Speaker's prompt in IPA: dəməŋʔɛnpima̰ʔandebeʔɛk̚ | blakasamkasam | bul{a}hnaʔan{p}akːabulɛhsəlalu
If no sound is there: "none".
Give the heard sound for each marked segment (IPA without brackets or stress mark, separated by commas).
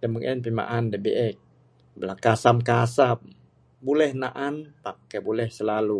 ɛ, p